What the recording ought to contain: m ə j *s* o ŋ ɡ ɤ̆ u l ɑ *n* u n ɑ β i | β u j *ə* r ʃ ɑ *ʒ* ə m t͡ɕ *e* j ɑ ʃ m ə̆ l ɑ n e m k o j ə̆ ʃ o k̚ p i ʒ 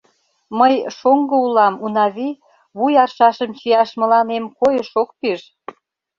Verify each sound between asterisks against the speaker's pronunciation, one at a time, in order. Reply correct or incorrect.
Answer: incorrect: ʃ, incorrect: m, incorrect: ɑ, incorrect: ʃ, incorrect: i

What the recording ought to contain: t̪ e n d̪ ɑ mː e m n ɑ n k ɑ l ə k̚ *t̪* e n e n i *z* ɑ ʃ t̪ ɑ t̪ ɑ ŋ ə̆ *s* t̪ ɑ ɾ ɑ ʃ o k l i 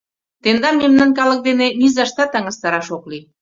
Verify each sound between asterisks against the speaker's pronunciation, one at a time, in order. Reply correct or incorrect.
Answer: incorrect: d̪, correct, correct

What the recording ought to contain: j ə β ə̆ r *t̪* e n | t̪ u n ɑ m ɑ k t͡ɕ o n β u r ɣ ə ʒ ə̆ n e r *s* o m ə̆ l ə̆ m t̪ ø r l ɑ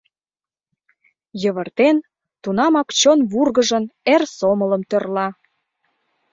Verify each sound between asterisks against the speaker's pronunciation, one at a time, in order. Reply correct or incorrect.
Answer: correct, correct

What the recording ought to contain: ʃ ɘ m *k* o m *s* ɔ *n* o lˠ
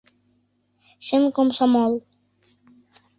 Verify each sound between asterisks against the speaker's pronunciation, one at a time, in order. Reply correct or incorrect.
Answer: correct, correct, incorrect: m

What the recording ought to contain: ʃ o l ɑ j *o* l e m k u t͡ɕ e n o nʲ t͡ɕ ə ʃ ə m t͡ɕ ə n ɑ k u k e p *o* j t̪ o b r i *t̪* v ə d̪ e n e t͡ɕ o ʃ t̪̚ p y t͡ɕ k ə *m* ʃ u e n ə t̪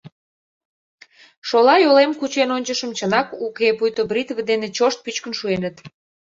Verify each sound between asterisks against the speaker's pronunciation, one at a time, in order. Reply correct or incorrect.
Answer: correct, incorrect: u, correct, incorrect: n

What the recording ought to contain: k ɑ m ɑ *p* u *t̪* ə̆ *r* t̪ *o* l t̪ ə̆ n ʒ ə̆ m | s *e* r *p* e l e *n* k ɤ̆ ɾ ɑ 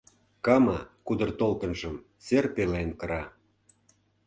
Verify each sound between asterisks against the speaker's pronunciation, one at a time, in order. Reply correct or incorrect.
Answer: incorrect: k, incorrect: d̪, correct, correct, correct, correct, correct

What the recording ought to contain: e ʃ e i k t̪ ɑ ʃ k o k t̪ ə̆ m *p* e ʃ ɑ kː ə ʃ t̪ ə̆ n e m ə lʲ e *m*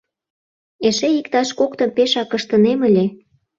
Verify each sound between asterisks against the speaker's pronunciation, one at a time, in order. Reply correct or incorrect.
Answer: correct, incorrect: none

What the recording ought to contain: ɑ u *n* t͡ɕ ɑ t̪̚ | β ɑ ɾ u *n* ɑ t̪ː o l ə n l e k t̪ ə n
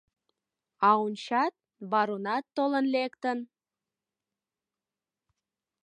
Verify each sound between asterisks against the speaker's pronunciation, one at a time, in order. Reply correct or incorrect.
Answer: correct, correct

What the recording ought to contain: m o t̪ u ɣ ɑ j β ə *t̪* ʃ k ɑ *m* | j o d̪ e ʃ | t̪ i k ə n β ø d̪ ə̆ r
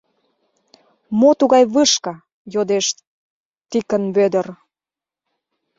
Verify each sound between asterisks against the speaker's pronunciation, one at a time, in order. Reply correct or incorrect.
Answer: incorrect: none, incorrect: none

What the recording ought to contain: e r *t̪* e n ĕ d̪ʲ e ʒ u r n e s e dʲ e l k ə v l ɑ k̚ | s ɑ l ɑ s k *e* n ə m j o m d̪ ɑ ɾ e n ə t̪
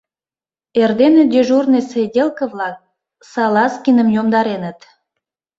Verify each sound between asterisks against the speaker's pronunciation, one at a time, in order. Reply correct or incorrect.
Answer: incorrect: d̪, incorrect: i

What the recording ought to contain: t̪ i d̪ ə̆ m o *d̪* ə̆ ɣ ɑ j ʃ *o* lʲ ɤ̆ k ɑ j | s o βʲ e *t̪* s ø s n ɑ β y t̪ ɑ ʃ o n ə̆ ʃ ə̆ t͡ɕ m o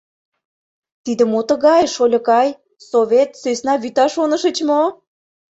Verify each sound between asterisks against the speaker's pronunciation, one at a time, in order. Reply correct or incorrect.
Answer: incorrect: t̪, correct, correct

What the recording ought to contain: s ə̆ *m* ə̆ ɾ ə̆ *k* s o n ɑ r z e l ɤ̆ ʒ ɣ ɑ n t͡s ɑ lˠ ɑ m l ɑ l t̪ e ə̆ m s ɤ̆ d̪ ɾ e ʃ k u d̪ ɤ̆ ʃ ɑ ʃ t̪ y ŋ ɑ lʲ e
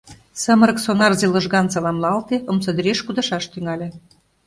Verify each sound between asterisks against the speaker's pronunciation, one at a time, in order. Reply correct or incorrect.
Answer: correct, correct

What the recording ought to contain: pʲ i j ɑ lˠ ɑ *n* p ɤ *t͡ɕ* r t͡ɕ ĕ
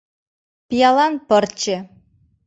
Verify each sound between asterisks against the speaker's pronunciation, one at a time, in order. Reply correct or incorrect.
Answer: correct, incorrect: none

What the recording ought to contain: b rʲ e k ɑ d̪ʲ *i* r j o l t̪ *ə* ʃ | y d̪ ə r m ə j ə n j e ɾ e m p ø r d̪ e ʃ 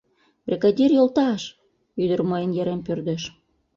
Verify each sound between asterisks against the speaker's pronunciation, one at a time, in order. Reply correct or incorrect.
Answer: correct, incorrect: ɑ

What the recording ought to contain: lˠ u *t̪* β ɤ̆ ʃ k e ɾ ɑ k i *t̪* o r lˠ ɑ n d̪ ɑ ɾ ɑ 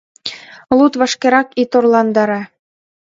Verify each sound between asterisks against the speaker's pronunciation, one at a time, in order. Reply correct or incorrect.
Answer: correct, correct

